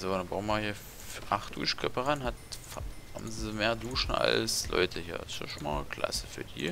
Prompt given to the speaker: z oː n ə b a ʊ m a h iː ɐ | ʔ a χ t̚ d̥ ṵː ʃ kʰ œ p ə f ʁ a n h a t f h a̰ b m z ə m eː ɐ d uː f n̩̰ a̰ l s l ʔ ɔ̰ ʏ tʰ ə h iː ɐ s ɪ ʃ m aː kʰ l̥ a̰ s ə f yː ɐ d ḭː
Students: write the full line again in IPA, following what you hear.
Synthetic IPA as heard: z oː n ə b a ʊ m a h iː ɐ | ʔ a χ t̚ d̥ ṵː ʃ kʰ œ p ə ʁ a n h a t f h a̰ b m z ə m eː ɐ d uː ʃ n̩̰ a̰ l s l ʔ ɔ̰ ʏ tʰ ə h iː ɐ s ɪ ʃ m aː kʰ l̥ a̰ s ə f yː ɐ d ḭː